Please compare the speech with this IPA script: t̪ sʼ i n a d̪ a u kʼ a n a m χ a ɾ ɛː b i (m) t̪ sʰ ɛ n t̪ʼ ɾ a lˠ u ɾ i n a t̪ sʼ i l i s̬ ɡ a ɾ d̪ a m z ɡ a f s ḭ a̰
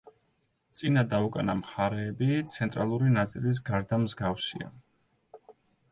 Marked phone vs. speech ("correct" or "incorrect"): incorrect